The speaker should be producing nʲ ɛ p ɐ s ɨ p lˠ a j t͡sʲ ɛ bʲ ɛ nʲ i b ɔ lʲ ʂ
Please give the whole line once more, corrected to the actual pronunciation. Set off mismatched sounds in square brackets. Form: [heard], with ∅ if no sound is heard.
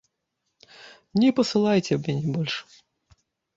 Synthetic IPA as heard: nʲ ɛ p ɐ s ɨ [∅] lˠ a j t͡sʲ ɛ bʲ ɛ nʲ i b ɔ lʲ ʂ

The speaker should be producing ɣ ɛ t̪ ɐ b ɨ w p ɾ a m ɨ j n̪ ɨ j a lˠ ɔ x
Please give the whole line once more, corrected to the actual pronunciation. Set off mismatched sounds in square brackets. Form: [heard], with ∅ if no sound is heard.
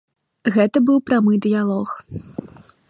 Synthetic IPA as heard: ɣ ɛ t̪ ɐ b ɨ w p ɾ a m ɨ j [d̪] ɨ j a lˠ ɔ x

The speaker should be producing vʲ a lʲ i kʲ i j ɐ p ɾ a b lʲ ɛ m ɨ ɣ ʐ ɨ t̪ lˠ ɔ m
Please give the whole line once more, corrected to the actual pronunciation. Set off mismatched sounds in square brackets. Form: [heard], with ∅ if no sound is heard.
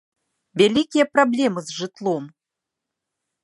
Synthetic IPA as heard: vʲ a lʲ i kʲ i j ɐ p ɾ a b lʲ ɛ m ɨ [z] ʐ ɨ t̪ lˠ ɔ m

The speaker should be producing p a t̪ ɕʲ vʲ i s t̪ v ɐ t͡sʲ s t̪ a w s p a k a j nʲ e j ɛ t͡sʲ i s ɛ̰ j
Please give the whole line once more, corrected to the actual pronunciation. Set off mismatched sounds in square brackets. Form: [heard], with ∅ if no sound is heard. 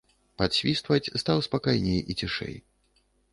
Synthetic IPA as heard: p a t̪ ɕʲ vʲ i s t̪ v ɐ t͡sʲ s t̪ a w s p a k a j nʲ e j [i] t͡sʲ i [ʂ] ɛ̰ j

